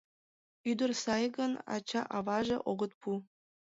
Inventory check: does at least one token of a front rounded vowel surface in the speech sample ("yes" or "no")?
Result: yes